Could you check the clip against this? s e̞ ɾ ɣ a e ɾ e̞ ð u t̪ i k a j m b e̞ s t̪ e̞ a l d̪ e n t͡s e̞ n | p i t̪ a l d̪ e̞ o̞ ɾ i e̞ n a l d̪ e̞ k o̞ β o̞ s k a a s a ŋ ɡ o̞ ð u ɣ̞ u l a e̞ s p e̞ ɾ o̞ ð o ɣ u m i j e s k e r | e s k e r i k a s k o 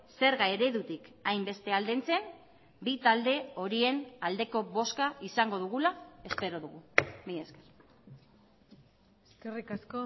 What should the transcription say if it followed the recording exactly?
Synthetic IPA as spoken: s e̞ ɾ ɣ a e ɾ e̞ ð u t̪ i k a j m b e̞ s t̪ e̞ a l d̪ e n t͡s e̞ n | b i t̪ a l d̪ e̞ o̞ ɾ i e̞ n a l d̪ e̞ k o̞ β o̞ s k a i s a ŋ ɡ o̞ ð u ɣ̞ u l a e̞ s p e̞ ɾ o̞ ð u ɣ u m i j e s k e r | e s k e r i k a s k o

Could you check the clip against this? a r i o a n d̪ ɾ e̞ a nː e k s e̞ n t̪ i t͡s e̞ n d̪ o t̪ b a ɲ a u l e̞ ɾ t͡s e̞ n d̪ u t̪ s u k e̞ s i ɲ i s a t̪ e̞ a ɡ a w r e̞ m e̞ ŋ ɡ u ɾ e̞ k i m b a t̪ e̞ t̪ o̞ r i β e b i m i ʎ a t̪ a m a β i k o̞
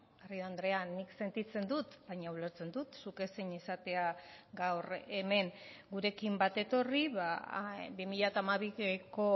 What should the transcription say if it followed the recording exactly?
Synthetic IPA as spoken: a r i o a n d̪ ɾ e̞ a nː i k s e̞ n t̪ i t͡s e̞ n d̪ u t̪ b a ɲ a u l e̞ ɾ t͡s e̞ n d̪ u t̪ s u k e̞ s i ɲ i s a t̪ e̞ a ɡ a w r e̞ m e̞ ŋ ɡ u ɾ e̞ k i m b a t̪ e̞ t̪ o̞ r i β a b i m i ʎ a t̪ a m a β i k o̞

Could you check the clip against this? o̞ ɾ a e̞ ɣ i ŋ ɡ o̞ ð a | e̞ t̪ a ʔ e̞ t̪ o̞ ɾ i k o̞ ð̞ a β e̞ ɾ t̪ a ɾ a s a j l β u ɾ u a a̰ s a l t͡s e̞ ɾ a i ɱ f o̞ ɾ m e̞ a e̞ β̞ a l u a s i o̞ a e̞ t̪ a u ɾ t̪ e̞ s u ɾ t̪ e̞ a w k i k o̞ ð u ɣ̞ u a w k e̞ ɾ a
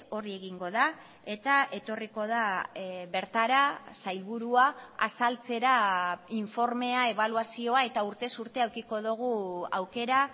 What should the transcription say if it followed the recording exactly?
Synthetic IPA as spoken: o̞ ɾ i e̞ ɣ i ŋ ɡ o̞ ð a | e̞ t̪ a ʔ e̞ t̪ o̞ r i k o̞ ð̞ a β e̞ ɾ t̪ a ɾ a s a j l β u ɾ u a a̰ s a l t͡s e̞ ɾ a i ɱ f o̞ ɾ m e̞ a e̞ β̞ a l u a s i o̞ a e̞ t̪ a u ɾ t̪ e̞ s u ɾ t̪ e̞ a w k i k o̞ ð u ɣ̞ u a w k e̞ ɾ a

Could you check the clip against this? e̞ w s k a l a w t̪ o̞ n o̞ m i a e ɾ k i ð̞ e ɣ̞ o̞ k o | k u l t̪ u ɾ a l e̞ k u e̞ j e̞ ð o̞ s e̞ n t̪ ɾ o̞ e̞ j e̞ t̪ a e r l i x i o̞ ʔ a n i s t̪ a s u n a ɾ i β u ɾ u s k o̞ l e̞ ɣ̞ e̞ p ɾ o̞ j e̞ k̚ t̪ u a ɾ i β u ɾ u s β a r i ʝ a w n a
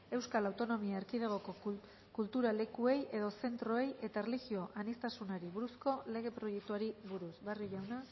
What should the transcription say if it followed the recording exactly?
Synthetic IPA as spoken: e̞ w s k a l a w t̪ o̞ n o̞ m i a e ɾ k i ð̞ e ɣ̞ o̞ k o | k u l t̪ u ɾ a l e̞ k u e̞ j e̞ ð o̞ s e̞ n t̪ ɾ o̞ e̞ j e̞ t̪ a e r l i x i o̞ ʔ a n i s t̪ a s u n a ɾ i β u ɾ u s k o̞ l e̞ ɣ̞ e̞ p ɾ o̞ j e̞ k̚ t̪ u a ɾ i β u ɾ u s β a r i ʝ a w n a

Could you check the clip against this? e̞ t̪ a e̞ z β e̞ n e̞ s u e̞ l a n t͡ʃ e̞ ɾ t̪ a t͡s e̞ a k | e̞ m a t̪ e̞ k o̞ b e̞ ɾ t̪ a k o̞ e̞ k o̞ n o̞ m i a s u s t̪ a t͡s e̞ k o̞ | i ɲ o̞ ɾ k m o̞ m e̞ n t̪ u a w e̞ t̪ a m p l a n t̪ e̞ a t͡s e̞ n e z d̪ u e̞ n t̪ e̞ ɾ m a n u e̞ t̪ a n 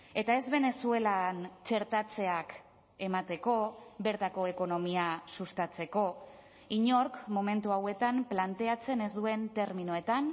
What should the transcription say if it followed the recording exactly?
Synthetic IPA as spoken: e̞ t̪ a e̞ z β e̞ n e̞ s u e̞ l a n t͡ʃ e̞ ɾ t̪ a t͡s e̞ a k | e̞ m a t̪ e̞ k o̞ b e̞ ɾ t̪ a k o̞ e̞ k o̞ n o̞ m i a s u s t̪ a t͡s e̞ k o̞ | i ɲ o̞ ɾ k m o̞ m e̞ n t̪ u a w e̞ t̪ a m p l a n t̪ e̞ a t͡s e̞ n e z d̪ u e̞ n t̪ e̞ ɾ m i n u e̞ t̪ a n

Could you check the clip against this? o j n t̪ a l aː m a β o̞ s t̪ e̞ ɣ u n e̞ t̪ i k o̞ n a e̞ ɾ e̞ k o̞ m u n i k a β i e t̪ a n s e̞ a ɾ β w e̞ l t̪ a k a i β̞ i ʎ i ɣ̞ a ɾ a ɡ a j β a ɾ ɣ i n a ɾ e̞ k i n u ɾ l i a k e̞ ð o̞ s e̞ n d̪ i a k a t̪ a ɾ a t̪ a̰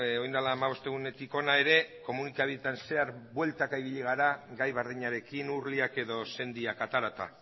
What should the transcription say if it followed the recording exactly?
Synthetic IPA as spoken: o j n d̪ a l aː m a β o̞ s t̪ e̞ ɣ u n e̞ t̪ i k o̞ n a e̞ ɾ e̞ k o̞ m u n i k a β i e t̪ a n s e̞ a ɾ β w e̞ l t̪ a k a i β̞ i ʎ i ɣ̞ a ɾ a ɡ a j β a ɾ ð i ɲ a ɾ e̞ k i n u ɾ l i a k e̞ ð o̞ s e̞ n d̪ i a k a t̪ a ɾ a t̪ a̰

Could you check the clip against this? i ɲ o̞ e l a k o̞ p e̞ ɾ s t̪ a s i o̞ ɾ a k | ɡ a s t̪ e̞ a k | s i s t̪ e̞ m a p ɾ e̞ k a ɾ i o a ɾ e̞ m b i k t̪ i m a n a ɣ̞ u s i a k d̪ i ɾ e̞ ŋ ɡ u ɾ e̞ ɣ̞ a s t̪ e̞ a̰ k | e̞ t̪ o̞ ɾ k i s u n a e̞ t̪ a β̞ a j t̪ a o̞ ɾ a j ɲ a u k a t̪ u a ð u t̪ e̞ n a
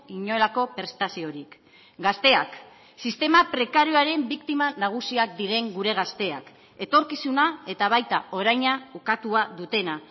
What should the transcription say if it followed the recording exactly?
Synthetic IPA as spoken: i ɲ o̞ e l a k o̞ p e̞ ɾ s t̪ a s i o̞ ɾ i k | ɡ a s t̪ e̞ a k | s i s t̪ e̞ m a p ɾ e̞ k a ɾ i o a ɾ e̞ m b i k t̪ i m a n a ɣ̞ u s i a k d̪ i ɾ e̞ ŋ ɡ u ɾ e̞ ɣ̞ a s t̪ e̞ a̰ k | e̞ t̪ o̞ ɾ k i s u n a e̞ t̪ a β̞ a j t̪ a o̞ ɾ a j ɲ a u k a t̪ u a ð u t̪ e̞ n a

